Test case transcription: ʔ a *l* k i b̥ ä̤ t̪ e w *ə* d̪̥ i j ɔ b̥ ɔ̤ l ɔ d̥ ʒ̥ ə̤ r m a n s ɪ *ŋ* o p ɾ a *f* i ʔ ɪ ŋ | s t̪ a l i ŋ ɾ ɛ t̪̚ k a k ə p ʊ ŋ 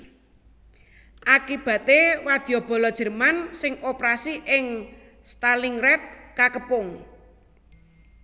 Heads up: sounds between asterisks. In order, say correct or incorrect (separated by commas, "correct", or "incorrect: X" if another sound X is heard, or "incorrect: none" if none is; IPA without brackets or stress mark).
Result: incorrect: none, incorrect: a, correct, incorrect: s